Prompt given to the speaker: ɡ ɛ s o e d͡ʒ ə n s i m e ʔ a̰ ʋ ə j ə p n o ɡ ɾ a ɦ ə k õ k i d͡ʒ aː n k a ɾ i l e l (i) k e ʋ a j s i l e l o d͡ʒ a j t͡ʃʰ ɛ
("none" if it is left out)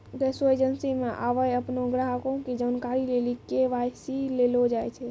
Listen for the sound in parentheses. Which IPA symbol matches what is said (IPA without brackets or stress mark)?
i